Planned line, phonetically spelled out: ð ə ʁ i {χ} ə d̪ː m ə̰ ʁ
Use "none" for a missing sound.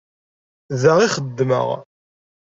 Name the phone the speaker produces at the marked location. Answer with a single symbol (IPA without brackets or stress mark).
χ